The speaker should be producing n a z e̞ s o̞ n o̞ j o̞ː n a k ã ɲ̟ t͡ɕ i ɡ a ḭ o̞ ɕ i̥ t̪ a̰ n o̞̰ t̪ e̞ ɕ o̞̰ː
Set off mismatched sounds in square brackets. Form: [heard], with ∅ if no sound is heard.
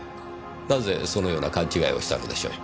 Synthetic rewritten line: n a z e̞ s o̞ n o̞ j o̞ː n a k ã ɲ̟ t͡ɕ i ɡ a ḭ o̞ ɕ i̥ t̪ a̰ n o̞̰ [d̪] e̞ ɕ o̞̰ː